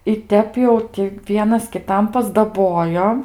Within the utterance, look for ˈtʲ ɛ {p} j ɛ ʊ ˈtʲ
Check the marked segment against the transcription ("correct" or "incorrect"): correct